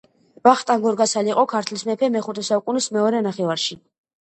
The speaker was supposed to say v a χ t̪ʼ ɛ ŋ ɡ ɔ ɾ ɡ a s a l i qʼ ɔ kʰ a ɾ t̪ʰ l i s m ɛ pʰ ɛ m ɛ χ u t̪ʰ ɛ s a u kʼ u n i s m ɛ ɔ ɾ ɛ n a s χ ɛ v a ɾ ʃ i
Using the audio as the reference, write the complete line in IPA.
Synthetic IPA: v a χ t̪ʼ a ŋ ɡ ɔ ɾ ɡ a s a l i qʼ ɔ kʰ a ɾ t̪ʰ l i s m ɛ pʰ ɛ m ɛ χ u t̪ʰ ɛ s a u kʼ u n i s m ɛ ɔ ɾ ɛ n a χ ɛ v a ɾ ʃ i